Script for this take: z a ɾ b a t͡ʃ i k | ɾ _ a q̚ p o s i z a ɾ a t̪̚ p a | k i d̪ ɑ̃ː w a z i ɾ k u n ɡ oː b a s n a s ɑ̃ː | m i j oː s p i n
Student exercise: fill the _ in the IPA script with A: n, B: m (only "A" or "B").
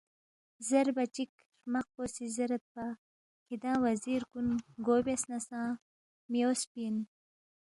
B